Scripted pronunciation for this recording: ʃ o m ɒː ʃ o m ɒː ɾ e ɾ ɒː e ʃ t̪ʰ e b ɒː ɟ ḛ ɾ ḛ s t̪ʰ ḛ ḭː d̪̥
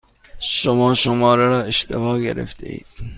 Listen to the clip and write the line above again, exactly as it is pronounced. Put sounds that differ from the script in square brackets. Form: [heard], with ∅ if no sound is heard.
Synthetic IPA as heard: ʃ o m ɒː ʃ o m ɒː ɾ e ɾ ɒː e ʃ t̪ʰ e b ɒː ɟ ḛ ɾ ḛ [f] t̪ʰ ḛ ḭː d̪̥